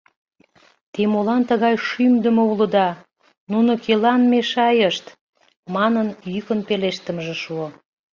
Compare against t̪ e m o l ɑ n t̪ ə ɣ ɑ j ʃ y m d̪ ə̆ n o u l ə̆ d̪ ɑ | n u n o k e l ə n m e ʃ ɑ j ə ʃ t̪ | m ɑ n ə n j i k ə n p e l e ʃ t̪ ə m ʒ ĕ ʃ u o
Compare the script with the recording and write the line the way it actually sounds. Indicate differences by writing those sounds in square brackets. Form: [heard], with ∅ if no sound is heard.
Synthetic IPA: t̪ e m o l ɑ n t̪ ə ɣ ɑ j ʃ y m d̪ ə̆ [m] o u l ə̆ d̪ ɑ | n u n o k e l [ɑ] n m e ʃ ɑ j ə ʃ t̪ | m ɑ n ə n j [y] k ə n p e l e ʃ t̪ ə m ʒ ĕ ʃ u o